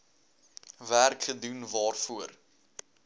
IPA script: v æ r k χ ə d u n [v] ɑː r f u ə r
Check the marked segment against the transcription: correct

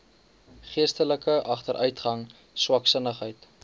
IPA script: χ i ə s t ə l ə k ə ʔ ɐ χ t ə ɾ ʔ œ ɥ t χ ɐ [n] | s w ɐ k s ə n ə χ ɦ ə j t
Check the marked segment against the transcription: incorrect: ŋ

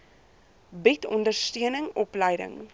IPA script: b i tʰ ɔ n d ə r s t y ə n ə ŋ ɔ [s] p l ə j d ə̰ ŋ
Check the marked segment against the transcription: incorrect: none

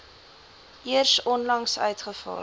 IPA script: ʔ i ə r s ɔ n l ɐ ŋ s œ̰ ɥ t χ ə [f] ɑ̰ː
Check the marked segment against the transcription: correct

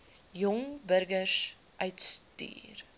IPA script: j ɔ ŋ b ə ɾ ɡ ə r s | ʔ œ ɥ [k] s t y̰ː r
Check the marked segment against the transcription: incorrect: t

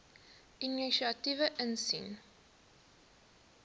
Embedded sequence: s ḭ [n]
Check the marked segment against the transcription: correct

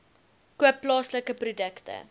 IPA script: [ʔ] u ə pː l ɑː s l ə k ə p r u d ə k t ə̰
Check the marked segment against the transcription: incorrect: k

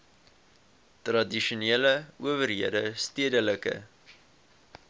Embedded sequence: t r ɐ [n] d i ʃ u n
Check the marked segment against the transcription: incorrect: none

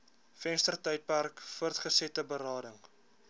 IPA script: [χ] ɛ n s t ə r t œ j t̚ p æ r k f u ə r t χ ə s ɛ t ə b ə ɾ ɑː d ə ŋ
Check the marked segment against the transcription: incorrect: f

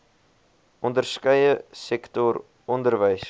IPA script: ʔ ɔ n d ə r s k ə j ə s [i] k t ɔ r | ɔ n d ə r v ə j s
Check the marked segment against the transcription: incorrect: ɛ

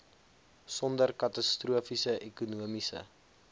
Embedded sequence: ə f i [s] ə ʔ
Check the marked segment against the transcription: correct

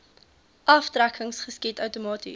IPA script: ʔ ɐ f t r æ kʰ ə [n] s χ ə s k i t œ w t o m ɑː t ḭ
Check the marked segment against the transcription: incorrect: ŋ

